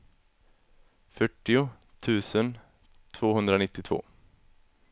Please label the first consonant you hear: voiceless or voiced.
voiceless